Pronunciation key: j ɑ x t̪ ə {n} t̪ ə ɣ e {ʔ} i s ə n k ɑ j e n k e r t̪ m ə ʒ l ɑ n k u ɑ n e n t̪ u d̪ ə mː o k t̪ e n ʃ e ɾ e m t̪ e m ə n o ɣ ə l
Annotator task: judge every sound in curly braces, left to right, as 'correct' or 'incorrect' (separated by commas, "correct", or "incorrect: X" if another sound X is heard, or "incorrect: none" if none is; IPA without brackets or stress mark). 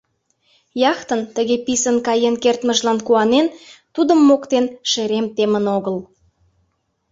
correct, incorrect: p